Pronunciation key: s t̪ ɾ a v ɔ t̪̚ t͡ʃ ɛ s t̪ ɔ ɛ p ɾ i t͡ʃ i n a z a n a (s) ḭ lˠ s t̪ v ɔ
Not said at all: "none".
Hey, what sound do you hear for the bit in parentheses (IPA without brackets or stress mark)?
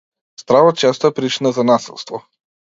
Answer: s